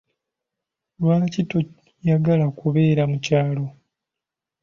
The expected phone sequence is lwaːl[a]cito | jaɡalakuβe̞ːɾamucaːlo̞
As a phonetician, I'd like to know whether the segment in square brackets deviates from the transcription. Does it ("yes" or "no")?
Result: no